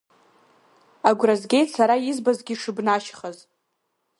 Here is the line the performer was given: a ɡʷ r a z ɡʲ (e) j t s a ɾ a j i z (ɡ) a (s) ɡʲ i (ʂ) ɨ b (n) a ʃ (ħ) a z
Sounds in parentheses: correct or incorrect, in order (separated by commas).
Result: correct, incorrect, incorrect, correct, correct, incorrect